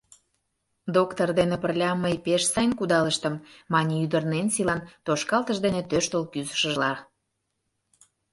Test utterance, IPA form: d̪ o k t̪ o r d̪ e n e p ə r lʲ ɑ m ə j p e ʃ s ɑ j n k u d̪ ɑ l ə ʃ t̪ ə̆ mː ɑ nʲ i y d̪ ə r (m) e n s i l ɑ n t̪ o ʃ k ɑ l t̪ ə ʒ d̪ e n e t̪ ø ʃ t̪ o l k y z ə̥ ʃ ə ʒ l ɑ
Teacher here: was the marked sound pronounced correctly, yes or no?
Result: no